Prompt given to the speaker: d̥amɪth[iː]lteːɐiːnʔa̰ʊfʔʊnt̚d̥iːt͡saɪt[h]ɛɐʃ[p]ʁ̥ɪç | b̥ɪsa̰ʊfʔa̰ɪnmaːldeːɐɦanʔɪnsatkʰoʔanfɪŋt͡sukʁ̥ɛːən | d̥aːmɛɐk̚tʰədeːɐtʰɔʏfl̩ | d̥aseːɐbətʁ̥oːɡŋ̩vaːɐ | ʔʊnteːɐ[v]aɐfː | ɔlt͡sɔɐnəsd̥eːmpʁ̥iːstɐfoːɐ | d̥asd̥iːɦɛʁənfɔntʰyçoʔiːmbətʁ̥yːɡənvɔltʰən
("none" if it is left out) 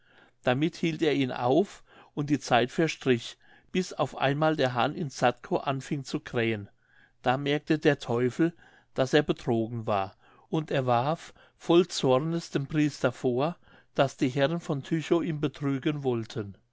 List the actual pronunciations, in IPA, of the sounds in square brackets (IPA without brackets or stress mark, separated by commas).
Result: iː, f, t, v